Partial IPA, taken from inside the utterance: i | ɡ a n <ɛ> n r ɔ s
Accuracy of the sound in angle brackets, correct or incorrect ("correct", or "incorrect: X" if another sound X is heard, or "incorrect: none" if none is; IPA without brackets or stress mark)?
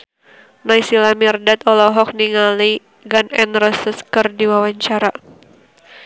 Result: correct